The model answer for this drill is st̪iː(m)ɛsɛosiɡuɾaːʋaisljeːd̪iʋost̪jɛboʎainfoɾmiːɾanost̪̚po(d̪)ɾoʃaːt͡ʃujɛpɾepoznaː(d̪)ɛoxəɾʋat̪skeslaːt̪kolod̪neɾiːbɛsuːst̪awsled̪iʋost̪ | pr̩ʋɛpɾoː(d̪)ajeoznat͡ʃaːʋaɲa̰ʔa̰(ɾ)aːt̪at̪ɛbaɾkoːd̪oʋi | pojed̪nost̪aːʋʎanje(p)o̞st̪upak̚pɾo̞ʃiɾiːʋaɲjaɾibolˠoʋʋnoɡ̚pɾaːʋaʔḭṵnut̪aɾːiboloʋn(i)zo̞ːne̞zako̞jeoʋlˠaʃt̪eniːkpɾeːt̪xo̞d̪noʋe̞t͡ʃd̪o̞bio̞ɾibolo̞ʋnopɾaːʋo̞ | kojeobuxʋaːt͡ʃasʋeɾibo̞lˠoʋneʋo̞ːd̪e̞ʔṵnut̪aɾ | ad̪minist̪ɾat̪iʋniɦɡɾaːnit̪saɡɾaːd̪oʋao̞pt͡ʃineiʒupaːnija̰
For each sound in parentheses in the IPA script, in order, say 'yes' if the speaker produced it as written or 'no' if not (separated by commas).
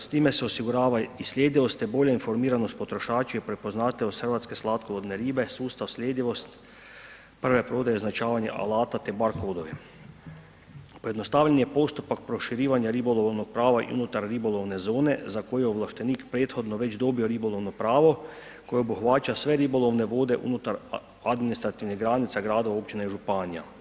yes, no, no, yes, no, yes, no